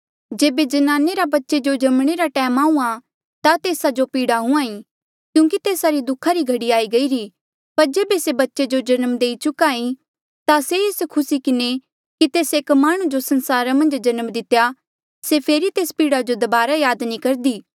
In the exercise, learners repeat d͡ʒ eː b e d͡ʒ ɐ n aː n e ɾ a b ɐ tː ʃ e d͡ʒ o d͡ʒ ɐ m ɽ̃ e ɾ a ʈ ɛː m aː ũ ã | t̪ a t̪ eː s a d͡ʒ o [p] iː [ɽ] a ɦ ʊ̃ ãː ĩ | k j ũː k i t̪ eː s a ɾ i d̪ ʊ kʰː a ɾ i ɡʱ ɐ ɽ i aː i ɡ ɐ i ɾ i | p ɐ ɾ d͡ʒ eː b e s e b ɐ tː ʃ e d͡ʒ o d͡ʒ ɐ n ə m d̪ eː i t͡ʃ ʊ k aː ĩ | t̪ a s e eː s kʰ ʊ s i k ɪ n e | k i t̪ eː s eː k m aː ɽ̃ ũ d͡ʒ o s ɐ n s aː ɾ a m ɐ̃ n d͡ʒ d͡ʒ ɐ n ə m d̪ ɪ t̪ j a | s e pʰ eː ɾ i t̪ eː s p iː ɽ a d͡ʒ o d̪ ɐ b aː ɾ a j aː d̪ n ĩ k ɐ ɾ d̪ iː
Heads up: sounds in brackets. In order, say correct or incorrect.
correct, correct

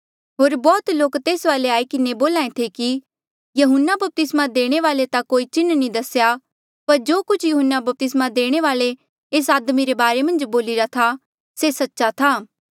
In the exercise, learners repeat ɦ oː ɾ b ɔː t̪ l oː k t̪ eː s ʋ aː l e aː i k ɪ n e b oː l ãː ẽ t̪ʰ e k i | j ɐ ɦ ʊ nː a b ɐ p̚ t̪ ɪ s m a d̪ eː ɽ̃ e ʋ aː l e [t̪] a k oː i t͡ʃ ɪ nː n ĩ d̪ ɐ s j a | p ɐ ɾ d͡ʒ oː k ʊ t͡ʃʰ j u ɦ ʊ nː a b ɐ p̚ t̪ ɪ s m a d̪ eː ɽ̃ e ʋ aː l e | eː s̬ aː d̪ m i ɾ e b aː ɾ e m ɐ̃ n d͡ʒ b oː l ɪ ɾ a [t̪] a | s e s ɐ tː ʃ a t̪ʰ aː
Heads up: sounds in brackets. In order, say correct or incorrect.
correct, incorrect: t̪ʰ

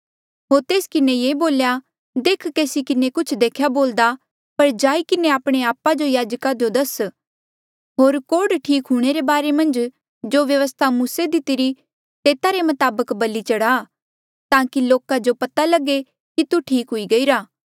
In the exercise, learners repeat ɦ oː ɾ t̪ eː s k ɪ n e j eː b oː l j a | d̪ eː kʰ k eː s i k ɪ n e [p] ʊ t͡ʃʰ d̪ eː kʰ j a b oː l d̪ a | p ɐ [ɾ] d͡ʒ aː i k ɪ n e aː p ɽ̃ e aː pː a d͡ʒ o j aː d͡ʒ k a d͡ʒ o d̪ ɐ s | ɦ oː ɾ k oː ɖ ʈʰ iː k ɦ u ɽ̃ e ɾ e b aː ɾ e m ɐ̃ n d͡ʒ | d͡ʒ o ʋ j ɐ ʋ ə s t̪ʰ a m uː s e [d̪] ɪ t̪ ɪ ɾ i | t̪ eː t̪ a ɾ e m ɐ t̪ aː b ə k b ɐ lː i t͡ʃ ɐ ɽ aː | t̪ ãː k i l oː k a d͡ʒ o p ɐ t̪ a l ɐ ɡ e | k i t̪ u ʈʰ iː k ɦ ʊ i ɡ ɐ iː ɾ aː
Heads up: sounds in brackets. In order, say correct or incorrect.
incorrect: k, correct, correct

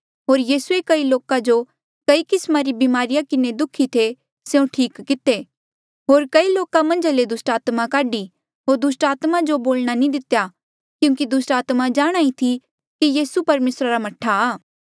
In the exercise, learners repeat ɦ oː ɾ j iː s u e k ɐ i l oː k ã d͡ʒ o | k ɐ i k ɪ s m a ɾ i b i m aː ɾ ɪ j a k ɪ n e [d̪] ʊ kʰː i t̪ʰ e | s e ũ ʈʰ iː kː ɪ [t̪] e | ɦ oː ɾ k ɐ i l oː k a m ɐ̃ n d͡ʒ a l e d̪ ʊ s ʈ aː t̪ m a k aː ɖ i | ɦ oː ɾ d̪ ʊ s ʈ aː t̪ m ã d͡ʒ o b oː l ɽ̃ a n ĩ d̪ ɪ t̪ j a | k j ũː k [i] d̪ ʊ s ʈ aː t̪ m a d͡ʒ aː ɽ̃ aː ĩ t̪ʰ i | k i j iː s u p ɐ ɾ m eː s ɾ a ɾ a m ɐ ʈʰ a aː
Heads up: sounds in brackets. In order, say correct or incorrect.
correct, correct, correct

